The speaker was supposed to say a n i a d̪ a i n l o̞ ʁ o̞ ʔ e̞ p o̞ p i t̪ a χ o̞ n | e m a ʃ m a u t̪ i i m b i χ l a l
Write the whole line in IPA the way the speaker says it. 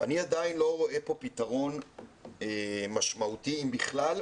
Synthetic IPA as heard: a n i a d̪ a i n l o̞ ʁ o̞ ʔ e̞ p o̞ p i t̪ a ʁ o̞ n | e m a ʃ m a u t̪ i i m b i χ l a l